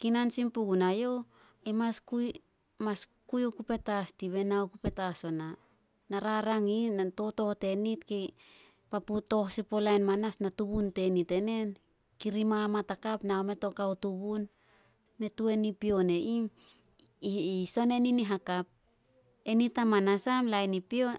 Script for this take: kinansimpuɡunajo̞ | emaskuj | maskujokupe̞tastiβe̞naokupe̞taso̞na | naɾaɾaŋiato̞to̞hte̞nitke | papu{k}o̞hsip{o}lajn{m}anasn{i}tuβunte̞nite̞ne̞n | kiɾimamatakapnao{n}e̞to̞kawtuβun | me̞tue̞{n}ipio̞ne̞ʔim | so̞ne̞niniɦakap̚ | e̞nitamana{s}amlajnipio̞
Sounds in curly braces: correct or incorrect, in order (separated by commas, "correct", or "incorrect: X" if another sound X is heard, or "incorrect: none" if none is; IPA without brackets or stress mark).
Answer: incorrect: t, correct, correct, incorrect: a, incorrect: m, correct, correct